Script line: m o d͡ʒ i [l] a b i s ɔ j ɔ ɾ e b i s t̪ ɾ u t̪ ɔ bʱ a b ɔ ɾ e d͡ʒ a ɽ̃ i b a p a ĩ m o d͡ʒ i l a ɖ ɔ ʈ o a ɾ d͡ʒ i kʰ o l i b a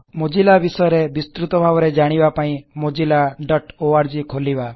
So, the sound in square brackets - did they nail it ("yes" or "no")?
yes